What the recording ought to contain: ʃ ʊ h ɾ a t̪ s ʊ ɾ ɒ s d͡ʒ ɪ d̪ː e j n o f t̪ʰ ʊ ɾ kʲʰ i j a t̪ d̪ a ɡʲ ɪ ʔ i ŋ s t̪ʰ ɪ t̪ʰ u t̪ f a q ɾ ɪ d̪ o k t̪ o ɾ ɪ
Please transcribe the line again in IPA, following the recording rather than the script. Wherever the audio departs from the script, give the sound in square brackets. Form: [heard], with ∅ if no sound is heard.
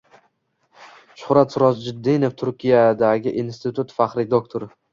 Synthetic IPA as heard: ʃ ʊ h ɾ a t̪ s ʊ ɾ ɒ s d͡ʒ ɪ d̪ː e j n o f t̪ʰ ʊ ɾ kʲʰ i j a [∅] d̪ a ɡʲ ɪ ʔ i [n] s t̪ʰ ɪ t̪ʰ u t̪ f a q ɾ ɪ d̪ o k [t̪ʰ] o ɾ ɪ